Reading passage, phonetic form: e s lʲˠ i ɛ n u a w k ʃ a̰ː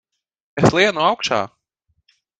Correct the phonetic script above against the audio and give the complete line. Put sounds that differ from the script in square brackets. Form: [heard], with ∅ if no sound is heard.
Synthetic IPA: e s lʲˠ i ɛ n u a w k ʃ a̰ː